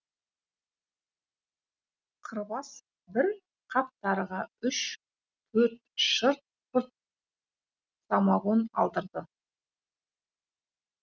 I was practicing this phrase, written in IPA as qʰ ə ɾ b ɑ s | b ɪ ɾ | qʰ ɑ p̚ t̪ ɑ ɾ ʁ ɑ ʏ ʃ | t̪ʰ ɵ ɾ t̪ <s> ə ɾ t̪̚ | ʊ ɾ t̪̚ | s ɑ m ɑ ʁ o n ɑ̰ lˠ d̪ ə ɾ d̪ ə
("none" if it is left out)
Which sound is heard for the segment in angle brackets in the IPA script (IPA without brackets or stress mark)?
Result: ʃ